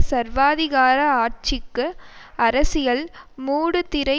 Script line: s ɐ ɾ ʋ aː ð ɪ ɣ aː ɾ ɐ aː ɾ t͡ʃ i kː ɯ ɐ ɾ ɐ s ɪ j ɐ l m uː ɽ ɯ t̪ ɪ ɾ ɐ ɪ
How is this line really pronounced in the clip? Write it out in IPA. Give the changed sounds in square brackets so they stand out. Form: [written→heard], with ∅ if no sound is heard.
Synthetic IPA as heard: s ɐ ɾ ʋ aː ð ɪ ɣ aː ɾ ɐ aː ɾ t͡ʃ [i→ɪ] kː ɯ ɐ ɾ ɐ s ɪ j ɐ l m uː ɽ ɯ t̪ ɪ ɾ ɐ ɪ